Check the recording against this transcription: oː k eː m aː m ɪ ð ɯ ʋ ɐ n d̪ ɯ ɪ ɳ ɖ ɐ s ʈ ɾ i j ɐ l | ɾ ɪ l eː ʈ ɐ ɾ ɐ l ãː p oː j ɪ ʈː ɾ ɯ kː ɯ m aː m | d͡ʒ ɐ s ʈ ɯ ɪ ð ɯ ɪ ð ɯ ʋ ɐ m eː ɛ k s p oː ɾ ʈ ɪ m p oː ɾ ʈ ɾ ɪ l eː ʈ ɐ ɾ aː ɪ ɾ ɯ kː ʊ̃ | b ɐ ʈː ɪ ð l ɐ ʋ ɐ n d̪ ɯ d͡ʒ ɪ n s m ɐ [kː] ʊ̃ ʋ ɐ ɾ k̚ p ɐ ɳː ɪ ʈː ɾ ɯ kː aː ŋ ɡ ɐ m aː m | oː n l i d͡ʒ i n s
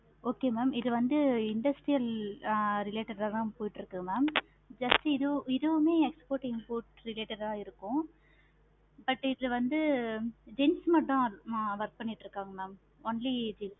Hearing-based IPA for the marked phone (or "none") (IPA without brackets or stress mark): ʈː